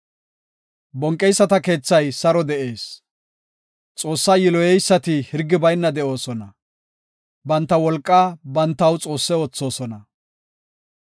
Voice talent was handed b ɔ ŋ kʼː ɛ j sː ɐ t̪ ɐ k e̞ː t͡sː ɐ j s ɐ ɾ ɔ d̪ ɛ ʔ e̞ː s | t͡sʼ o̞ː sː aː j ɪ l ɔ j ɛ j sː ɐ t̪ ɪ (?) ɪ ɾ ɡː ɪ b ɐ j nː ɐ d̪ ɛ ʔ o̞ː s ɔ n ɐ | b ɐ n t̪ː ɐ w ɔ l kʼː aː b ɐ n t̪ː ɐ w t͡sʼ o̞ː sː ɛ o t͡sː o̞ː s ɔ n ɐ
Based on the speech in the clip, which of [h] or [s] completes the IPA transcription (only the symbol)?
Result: h